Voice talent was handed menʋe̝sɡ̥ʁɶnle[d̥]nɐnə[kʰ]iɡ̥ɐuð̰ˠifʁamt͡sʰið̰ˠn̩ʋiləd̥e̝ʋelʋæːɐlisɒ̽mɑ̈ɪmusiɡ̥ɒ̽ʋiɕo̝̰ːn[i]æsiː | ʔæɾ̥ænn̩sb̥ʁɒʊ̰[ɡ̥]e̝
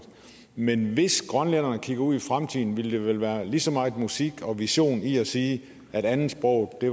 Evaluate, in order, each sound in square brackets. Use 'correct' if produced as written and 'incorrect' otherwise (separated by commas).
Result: incorrect, correct, correct, incorrect